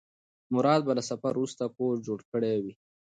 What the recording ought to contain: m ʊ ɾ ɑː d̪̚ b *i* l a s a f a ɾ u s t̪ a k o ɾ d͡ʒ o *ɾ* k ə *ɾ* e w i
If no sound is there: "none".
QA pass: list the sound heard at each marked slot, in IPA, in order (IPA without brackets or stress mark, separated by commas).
a, ɽ, ɽ